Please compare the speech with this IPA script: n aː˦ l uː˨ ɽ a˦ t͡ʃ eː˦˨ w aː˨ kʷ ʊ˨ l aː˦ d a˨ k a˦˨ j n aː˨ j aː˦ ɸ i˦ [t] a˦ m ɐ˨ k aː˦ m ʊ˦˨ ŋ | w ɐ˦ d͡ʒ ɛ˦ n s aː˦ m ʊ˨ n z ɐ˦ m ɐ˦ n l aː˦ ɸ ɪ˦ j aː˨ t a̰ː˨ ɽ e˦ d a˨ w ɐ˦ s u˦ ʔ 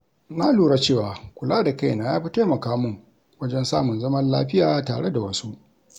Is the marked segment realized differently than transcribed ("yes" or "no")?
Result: no